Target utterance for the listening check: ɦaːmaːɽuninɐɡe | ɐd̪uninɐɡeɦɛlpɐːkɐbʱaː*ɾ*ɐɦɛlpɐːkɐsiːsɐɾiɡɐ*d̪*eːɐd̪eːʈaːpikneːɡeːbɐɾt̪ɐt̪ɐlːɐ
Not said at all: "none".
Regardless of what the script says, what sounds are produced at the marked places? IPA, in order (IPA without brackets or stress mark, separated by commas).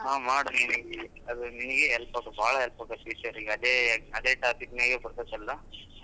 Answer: ɭ, d̪